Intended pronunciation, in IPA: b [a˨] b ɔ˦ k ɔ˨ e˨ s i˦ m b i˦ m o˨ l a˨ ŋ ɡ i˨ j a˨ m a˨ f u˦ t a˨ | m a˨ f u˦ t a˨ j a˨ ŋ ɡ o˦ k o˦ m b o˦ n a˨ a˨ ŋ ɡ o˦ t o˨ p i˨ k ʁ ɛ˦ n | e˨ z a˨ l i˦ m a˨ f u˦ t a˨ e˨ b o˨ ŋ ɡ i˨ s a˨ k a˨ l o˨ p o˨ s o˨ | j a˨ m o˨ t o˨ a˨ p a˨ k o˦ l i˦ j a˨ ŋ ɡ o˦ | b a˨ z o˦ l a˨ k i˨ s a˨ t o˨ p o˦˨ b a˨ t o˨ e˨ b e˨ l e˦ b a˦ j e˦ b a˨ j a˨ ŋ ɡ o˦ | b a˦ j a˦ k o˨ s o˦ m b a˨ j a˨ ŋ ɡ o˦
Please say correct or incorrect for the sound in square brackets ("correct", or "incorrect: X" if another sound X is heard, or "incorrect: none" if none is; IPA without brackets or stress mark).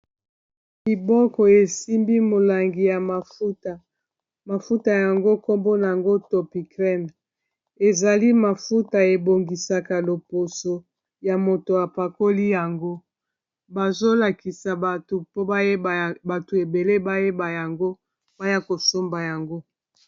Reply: incorrect: i˨